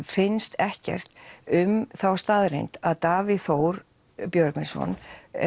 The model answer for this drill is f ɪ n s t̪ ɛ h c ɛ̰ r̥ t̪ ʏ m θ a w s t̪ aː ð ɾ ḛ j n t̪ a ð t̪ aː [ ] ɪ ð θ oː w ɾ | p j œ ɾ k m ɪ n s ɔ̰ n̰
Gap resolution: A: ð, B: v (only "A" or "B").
B